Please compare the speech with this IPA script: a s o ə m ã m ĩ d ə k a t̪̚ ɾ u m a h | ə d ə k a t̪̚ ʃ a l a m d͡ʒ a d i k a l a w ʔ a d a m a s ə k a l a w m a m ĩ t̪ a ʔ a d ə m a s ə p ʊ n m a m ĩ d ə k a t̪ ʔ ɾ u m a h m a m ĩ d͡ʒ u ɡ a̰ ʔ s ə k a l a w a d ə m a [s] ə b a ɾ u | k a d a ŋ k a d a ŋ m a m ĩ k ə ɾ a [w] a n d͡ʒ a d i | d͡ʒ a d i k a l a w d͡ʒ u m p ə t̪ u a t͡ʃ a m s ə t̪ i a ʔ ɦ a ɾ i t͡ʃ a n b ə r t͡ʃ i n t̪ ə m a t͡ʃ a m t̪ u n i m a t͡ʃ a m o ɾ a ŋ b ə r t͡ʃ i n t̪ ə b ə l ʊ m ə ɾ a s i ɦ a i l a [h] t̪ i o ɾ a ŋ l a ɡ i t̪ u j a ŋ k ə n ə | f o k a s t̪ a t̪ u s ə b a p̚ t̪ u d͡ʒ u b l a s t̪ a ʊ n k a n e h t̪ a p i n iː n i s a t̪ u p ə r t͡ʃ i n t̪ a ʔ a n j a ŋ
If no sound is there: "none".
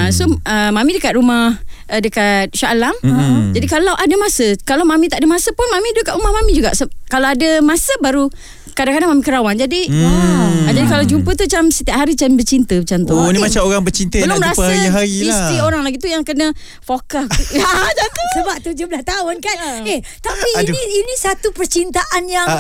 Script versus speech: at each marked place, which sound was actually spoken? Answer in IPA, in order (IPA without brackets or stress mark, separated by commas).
s, w, s